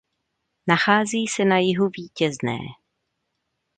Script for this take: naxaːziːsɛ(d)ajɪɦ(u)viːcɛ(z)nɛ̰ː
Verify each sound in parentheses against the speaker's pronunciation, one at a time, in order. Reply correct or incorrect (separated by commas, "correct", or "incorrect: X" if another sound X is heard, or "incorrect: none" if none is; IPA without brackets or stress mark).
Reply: incorrect: n, correct, correct